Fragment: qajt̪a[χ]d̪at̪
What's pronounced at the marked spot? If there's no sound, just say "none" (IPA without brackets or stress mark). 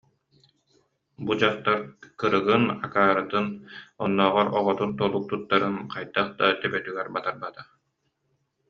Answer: χ